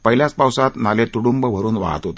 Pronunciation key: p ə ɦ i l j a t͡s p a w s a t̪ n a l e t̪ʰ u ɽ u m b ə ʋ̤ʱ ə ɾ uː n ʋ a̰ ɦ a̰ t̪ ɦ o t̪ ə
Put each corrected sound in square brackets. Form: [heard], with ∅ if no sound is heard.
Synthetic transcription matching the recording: p ə ɦ i l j a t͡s p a w s a t̪ n a l e [t̪] u ɽ u m b ə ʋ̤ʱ ə ɾ uː n ʋ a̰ ɦ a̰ t̪ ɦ o t̪ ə